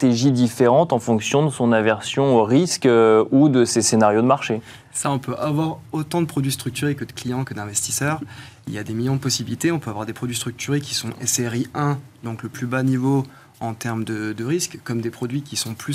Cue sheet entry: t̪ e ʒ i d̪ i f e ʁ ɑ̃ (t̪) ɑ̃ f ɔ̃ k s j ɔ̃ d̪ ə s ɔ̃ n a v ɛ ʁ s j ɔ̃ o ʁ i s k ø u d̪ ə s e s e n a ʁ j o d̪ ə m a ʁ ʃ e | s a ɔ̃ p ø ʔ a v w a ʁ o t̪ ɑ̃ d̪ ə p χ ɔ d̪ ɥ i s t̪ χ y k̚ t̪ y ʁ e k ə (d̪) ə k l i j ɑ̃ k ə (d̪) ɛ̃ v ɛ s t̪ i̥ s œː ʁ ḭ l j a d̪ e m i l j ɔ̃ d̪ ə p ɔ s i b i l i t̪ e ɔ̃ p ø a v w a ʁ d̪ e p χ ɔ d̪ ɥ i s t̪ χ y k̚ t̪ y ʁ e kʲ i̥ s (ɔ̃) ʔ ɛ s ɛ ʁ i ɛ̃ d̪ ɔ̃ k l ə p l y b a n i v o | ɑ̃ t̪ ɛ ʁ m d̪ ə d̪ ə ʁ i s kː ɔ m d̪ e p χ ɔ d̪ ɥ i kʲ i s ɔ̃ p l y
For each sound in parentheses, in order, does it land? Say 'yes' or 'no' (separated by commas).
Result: yes, yes, yes, yes